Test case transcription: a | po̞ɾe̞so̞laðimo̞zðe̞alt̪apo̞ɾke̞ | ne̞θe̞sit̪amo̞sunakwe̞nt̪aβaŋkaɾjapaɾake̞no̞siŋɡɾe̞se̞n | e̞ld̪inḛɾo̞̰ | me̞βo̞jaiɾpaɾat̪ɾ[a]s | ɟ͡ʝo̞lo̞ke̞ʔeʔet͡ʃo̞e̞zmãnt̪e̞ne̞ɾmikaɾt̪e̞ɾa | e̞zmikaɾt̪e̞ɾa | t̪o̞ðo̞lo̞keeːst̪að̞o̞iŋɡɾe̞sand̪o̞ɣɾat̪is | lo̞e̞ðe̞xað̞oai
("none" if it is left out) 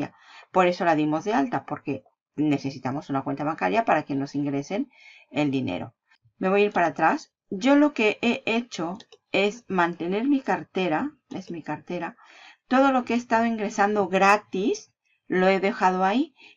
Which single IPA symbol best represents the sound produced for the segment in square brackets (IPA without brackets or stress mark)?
a